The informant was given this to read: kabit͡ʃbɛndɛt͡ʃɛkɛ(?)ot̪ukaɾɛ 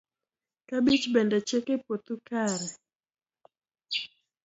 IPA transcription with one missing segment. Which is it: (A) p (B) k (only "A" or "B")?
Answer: A